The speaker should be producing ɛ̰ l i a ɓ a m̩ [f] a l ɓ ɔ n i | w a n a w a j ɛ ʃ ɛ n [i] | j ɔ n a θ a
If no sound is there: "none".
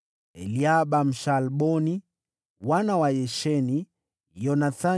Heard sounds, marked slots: ʃ, i

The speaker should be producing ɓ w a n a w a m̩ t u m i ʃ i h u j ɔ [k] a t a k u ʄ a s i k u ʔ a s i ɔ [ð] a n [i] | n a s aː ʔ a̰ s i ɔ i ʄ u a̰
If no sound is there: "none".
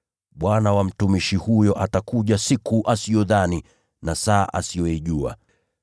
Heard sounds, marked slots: ʔ, ð, i

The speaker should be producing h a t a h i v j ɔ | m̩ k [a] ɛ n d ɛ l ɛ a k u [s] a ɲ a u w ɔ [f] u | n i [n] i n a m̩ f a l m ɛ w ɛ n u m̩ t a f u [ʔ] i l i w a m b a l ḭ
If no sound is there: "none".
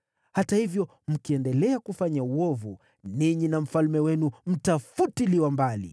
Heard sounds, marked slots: i, f, v, ɲ, t

